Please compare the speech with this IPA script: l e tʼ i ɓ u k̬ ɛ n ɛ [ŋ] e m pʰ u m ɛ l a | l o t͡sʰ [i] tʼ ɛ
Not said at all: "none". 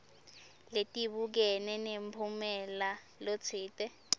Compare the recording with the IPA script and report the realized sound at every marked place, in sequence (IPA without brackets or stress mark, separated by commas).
n, iː